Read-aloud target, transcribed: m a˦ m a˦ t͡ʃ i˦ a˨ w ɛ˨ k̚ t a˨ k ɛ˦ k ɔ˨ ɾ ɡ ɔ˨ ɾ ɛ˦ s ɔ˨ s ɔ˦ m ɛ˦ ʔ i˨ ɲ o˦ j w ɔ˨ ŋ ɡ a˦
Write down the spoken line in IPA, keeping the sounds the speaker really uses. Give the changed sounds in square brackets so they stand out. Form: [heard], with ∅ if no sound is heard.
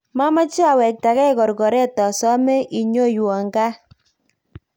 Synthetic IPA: m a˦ m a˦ t͡ʃ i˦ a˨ w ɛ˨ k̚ t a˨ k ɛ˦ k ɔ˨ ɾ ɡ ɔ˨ ɾ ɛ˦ [t] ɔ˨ s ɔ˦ m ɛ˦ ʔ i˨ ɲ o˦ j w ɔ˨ ŋ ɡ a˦